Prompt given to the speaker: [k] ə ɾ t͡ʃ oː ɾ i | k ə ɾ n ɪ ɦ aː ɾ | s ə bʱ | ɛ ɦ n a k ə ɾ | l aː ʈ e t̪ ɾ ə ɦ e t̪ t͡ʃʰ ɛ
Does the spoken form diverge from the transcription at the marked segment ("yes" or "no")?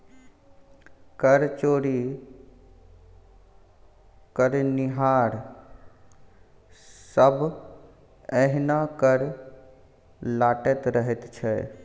no